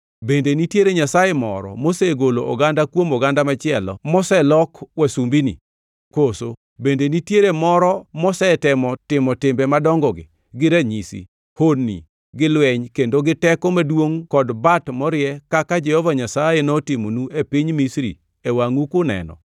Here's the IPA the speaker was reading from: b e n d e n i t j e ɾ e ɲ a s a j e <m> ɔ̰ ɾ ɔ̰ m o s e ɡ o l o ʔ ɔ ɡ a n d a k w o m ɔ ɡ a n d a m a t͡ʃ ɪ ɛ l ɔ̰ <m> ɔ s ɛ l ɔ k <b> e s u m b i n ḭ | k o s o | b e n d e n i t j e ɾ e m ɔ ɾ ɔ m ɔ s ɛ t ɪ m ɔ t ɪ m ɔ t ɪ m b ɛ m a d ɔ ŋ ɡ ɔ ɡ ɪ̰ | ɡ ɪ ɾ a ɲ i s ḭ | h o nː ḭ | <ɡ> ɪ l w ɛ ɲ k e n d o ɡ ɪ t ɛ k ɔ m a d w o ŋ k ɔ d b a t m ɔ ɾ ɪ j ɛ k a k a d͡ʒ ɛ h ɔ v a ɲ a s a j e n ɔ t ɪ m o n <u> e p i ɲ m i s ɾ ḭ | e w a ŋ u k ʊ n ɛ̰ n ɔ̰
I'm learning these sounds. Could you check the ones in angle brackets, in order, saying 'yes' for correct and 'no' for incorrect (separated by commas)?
yes, yes, no, yes, yes